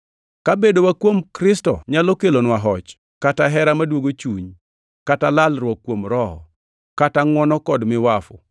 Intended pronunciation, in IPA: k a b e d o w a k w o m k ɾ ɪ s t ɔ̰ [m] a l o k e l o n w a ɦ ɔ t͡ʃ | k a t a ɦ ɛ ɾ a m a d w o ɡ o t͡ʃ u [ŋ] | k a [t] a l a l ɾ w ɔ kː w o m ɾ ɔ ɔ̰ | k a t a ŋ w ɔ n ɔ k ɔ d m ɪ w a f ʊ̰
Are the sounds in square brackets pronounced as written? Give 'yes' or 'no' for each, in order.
no, no, yes

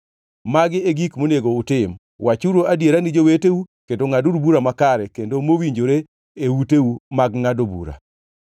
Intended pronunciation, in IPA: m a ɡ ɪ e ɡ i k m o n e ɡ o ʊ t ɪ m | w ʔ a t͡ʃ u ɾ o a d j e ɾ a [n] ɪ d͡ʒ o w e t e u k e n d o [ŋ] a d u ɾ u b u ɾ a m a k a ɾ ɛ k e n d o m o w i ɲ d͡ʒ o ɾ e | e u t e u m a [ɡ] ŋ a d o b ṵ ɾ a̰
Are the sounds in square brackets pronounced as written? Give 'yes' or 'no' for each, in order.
yes, yes, yes

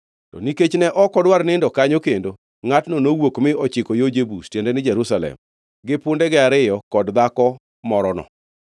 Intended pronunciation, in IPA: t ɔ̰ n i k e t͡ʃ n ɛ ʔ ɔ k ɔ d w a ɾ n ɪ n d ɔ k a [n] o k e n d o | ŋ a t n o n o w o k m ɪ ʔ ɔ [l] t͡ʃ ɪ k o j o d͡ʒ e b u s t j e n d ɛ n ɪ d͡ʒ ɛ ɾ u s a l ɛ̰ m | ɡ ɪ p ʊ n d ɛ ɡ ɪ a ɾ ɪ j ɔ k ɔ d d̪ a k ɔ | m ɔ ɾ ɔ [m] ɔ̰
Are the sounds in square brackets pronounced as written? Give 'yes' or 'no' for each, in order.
no, no, no

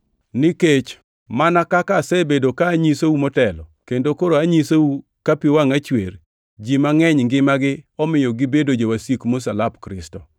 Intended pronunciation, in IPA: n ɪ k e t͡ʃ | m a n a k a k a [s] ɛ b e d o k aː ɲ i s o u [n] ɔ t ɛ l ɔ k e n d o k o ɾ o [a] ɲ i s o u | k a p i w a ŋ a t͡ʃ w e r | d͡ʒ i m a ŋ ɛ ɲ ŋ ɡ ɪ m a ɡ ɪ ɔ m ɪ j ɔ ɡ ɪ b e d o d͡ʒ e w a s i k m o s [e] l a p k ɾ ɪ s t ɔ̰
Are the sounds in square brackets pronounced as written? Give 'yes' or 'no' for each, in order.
yes, no, yes, no

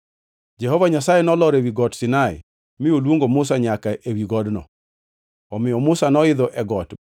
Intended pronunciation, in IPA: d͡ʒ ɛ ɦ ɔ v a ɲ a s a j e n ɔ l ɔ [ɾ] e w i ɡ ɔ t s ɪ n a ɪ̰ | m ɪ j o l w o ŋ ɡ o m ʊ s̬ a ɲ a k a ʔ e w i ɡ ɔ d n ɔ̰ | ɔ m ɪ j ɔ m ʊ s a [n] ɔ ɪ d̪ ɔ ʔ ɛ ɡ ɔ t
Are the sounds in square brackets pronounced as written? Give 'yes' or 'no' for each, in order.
yes, yes

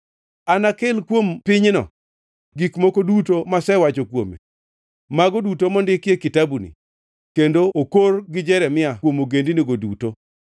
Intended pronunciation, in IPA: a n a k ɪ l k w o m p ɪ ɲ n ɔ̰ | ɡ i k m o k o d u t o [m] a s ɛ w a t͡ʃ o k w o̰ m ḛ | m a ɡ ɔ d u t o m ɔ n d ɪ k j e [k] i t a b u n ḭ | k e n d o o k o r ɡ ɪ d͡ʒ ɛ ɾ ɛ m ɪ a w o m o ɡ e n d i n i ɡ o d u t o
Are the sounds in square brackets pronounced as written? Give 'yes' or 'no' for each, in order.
yes, yes

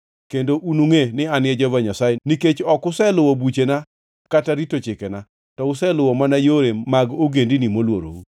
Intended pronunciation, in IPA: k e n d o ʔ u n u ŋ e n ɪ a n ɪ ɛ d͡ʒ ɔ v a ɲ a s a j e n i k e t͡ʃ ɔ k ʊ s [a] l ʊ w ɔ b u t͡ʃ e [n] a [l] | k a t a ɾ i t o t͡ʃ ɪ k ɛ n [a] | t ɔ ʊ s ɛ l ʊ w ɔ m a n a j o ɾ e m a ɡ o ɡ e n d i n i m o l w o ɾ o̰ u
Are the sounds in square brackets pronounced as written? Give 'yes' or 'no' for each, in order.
no, yes, no, yes

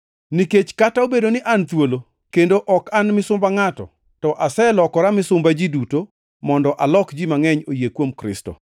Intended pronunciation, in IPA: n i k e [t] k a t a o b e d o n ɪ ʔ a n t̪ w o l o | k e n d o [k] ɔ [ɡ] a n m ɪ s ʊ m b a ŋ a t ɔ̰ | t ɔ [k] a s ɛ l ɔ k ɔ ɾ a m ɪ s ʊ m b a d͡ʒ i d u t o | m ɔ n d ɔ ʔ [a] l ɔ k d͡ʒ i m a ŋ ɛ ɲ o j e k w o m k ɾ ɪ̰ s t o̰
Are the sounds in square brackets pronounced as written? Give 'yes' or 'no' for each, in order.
no, no, no, no, yes

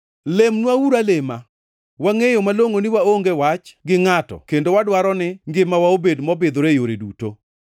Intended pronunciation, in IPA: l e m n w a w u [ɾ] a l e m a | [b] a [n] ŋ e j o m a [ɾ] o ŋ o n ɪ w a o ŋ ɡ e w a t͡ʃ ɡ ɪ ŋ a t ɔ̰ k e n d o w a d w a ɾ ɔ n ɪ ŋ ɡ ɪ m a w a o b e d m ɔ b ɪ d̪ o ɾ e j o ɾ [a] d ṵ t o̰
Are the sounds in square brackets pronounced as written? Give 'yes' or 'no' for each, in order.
yes, no, no, no, no

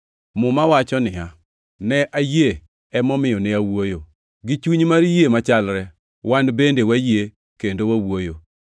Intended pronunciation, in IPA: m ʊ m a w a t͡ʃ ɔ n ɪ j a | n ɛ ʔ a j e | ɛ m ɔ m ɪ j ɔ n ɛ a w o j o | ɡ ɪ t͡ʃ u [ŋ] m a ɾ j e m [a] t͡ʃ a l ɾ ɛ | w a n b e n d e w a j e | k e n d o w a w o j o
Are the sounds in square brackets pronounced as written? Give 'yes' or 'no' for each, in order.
no, yes

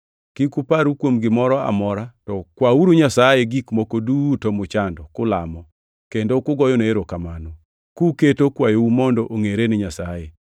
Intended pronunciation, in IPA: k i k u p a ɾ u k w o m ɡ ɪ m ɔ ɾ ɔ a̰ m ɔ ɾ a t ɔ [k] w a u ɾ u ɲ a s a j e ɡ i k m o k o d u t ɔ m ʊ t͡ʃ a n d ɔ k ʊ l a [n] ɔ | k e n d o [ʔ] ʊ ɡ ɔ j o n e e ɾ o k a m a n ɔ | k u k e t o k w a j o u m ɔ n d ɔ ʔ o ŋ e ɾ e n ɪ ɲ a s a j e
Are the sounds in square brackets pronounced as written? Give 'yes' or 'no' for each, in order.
yes, no, no

